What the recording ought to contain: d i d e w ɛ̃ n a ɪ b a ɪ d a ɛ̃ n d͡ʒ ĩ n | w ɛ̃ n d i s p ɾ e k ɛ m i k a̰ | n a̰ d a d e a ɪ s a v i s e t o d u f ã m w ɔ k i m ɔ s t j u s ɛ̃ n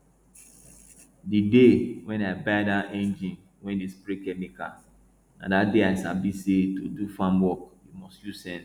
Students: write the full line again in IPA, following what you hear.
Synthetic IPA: d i d e w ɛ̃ n a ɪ b a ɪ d a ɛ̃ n d͡ʒ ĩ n | w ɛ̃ n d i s p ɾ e k ɛ m i k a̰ | n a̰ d a d e a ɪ s a b i s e t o d u f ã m w ɔ k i m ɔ s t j u s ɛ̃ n